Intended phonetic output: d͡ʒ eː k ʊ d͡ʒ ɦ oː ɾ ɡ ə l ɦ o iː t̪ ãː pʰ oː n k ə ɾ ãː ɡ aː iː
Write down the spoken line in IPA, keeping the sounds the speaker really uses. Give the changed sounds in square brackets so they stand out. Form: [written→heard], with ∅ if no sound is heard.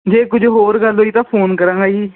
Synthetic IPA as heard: d͡ʒ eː k ʊ d͡ʒ ɦ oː ɾ ɡ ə l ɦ o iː t̪ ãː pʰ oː n k ə ɾ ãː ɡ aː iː